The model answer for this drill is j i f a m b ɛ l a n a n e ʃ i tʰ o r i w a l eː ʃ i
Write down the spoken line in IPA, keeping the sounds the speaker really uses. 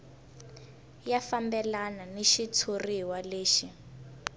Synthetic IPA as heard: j a f a m b ɛ l a n a n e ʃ i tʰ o r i w a l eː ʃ i